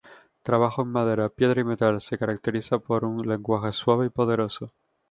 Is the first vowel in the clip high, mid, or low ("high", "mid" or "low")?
low